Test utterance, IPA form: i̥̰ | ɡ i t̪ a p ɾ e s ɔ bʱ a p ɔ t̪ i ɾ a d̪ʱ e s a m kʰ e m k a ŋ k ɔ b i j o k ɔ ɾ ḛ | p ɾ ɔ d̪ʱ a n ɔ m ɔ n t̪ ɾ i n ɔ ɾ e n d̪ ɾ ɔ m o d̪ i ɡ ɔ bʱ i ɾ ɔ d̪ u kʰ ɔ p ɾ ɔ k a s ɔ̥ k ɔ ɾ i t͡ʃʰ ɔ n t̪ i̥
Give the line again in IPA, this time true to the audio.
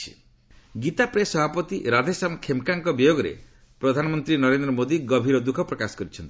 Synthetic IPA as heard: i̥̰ | ɡ i t̪ a p ɾ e s ɔ bʱ a p ɔ t̪ i ɾ a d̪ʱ e s a m kʰ e m k a ŋ k ɔ b i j o ɡ ɔ ɾ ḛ | p ɾ ɔ d̪ʱ a n ɔ m ɔ n t̪ ɾ i n ɔ ɾ e n d̪ ɾ ɔ m o d̪ i ɡ ɔ bʱ i ɾ ɔ d̪ u kʰ ɔ p ɾ ɔ k a s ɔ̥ k ɔ ɾ i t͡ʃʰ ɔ n t̪ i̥

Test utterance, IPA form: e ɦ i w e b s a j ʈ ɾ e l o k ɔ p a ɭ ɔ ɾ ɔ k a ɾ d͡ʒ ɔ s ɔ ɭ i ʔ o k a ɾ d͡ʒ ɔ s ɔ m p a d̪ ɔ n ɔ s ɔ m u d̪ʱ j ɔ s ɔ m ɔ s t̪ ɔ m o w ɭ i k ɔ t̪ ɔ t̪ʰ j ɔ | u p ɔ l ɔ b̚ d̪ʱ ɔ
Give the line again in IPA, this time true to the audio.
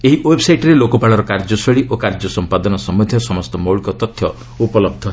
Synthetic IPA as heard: e ɦ i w e b s a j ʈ ɾ e l o k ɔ p a ɭ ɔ ɾ ɔ k a ɾ d͡ʒ ɔ s ɔ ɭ i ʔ o k a ɾ d͡ʒ ɔ s ɔ m p a d̪ ɔ n ɔ s ɔ m u d̪ʱ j ɔ s ɔ m ɔ s t̪ ɔ m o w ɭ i k ɔ t̪ ɔ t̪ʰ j ɔ | u p ɔ l ɔ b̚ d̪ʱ ɔ

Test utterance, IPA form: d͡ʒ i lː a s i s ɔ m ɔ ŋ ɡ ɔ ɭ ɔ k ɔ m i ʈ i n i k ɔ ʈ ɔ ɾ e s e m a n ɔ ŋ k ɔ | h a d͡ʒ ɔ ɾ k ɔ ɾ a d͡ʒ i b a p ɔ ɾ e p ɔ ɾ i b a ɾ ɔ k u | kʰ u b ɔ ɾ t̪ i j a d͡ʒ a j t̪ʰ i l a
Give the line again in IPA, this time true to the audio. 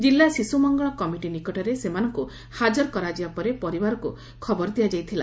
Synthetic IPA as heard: d͡ʒ i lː a s i s u m ɔ ŋ ɡ ɔ ɭ ɔ k ɔ m i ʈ i n i k ɔ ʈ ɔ ɾ e s e m a n ɔ ŋ k u | h a d͡ʒ ɔ ɾ k ɔ ɾ a d͡ʒ i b a p ɔ ɾ e p ɔ ɾ i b a ɾ ɔ k u | kʰ ɔ b ɔ ɾ d̪ i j a d͡ʒ a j t̪ʰ i l a

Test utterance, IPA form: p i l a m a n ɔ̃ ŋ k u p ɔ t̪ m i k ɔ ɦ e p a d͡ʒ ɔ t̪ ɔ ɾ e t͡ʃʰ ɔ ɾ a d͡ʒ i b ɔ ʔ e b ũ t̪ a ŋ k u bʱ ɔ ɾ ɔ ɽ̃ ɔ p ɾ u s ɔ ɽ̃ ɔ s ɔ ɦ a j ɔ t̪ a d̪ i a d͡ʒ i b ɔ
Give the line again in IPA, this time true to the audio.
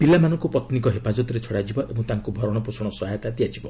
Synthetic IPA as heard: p i l a m a n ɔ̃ ŋ k u p ɔ t̪ n i k ɔ ɦ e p a d͡ʒ ɔ t̪ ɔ ɾ e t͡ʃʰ ɔ ɽ a d͡ʒ i b ɔ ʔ e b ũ t̪ a ŋ k u bʱ ɔ ɾ ɔ ɽ̃ ɔ p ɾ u s ɔ ɽ̃ ɔ s ɔ ɦ a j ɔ t̪ a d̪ i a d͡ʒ i b ɔ

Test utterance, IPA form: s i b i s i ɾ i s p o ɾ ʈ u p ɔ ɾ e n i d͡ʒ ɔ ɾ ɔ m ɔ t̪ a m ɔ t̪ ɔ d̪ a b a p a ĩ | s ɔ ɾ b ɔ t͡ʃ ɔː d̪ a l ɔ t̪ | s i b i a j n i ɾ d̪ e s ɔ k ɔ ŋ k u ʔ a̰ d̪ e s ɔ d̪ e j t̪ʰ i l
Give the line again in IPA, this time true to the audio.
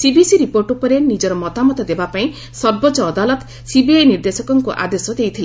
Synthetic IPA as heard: s i b i s i ɾ i p o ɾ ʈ u p ɔ ɾ e n i d͡ʒ ɔ ɾ ɔ m ɔ t̪ a m ɔ t̪ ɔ d̪ e b a p a ĩ | s ɔ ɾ b ɔ t͡ʃ ɔː d̪ a l ɔ t̪ | s i b i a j n i ɾ d̪ e s ɔ k ɔ ŋ k u ʔ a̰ d̪ e s ɔ d̪ e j t̪ʰ i l

